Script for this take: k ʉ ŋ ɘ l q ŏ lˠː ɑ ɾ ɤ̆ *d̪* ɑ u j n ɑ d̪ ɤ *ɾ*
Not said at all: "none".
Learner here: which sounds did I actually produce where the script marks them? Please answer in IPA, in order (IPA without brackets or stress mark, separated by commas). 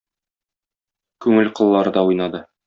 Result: d̪, none